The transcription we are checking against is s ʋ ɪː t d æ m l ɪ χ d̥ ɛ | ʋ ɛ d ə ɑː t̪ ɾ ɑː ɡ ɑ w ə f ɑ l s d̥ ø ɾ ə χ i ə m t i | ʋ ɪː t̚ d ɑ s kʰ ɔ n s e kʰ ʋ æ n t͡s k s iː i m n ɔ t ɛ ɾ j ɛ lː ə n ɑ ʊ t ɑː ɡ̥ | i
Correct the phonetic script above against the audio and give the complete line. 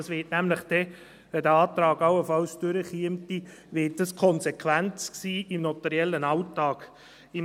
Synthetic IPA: s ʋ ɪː t n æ m l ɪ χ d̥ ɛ | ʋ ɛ d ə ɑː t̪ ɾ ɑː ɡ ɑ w ə f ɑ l s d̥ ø ɾ ə χ i ə m t i | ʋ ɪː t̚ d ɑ s kʰ ɔ n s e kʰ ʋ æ n t͡s k s iː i m n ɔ t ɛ ɾ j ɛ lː ə n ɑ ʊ t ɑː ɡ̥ | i